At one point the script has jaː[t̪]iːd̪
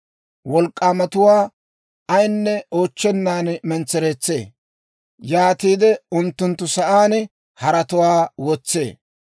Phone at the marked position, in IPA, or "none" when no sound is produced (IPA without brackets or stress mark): t̪